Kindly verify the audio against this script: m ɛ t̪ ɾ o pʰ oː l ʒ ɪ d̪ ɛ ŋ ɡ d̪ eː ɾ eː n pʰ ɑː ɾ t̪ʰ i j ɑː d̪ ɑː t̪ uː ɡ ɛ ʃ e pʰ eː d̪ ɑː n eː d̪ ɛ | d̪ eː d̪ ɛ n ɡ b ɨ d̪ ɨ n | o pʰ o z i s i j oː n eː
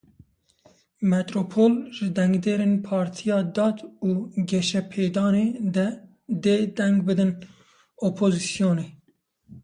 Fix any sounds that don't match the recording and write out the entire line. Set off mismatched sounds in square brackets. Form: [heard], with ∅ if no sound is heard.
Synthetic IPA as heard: m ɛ t̪ ɾ o pʰ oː l ʒ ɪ d̪ ɛ ŋ ɡ d̪ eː ɾ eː n pʰ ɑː ɾ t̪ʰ i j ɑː d̪ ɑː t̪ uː ɡ ɛ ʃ [ɛ] pʰ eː d̪ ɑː n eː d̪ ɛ | d̪ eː d̪ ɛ [ŋ] ɡ b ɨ d̪ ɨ n | o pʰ o z i s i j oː n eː